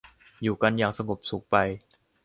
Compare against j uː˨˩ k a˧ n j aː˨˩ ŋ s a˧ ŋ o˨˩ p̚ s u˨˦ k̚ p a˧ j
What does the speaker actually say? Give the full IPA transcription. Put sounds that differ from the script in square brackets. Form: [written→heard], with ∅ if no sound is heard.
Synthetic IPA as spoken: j uː˨˩ k a˧ n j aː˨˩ ŋ s a˧ ŋ o˨˩ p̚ s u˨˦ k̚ p a˧ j